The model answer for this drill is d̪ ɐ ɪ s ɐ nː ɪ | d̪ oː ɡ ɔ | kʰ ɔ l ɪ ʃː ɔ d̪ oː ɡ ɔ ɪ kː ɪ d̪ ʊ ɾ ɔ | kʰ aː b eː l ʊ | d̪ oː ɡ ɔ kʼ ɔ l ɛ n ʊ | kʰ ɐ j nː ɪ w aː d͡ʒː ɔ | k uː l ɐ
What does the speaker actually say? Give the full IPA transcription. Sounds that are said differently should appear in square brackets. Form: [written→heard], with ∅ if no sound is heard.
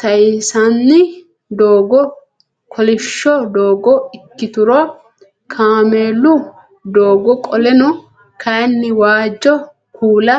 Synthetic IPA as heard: [d̪→t̪] ɐ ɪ s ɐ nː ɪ | d̪ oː ɡ ɔ | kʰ ɔ l ɪ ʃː ɔ d̪ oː ɡ ɔ ɪ kː ɪ [d̪→t̪] ʊ ɾ ɔ | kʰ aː [b→m] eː l ʊ | d̪ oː ɡ ɔ kʼ ɔ l ɛ n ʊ | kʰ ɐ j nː ɪ w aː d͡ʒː ɔ | k uː l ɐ